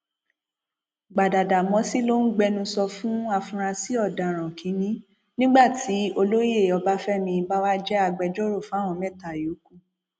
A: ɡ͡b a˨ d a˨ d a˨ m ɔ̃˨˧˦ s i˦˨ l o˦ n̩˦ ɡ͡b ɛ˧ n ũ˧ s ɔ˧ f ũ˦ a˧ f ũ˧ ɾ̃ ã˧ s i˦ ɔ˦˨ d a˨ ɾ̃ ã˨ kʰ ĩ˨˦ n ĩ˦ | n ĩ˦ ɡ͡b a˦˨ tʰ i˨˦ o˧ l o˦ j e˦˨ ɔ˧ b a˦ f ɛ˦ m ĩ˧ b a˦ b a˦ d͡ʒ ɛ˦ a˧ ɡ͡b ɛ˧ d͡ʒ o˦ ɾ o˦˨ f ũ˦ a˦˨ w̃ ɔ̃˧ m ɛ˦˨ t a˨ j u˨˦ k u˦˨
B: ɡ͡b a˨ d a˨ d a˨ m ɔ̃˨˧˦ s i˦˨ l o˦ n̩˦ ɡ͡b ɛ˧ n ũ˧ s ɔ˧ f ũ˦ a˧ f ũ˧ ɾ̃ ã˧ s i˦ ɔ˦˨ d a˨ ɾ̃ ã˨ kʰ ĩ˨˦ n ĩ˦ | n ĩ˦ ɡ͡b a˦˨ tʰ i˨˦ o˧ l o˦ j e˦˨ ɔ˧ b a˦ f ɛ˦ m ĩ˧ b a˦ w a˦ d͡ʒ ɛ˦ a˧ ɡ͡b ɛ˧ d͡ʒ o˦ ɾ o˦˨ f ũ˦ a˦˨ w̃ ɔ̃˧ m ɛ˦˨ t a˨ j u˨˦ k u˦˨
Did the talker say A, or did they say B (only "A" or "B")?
B